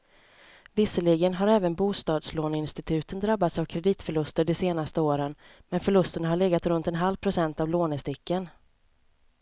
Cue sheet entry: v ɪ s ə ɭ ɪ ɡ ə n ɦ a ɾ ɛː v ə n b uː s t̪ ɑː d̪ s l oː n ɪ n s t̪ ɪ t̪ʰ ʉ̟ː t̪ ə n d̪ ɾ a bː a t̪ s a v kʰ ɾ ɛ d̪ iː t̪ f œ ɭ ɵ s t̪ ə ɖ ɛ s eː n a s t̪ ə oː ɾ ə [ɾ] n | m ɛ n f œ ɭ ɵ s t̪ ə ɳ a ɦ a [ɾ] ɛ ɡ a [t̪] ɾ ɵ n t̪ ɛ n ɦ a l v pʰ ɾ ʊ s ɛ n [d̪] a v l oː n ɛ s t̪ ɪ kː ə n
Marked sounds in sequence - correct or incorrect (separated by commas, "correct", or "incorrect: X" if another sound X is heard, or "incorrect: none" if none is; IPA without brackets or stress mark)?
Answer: incorrect: none, incorrect: ɭ, correct, incorrect: t̪